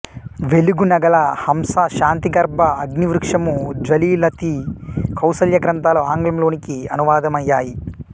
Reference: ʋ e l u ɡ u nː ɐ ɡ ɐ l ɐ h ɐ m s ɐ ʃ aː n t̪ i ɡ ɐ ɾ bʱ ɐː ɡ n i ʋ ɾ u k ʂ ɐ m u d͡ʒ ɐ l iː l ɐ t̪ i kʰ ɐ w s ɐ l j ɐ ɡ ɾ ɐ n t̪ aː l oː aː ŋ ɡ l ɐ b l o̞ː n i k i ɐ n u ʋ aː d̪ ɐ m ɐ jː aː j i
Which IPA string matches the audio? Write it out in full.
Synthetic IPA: ʋ e l u ɡ u n ɐ ɡ ɐ l ɐ h ɐ m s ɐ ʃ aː n t̪ i ɡ ɐ ɾ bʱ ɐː ɡ n i ʋ ɾ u k ʂ ɐ m u d͡ʒ ɐ l iː l ɐ t̪ i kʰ ɐ w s ɐ l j ɐ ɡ ɾ ɐ n t̪ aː l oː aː ŋ ɡ l ɐ m l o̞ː n i k i ɐ n u ʋ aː d̪ ɐ m ɐ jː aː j i